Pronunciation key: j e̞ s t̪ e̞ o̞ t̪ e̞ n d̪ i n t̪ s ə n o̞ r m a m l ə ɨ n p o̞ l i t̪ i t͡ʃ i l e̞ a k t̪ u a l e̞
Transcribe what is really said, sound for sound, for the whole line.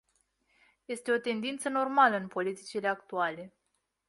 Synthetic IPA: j e̞ s t̪ e̞ o̞ t̪ e̞ n d̪ i n t̪ s ə n o̞ r m a l ə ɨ n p o̞ l i t̪ i t͡ʃ i l e̞ a k t̪ u a l e̞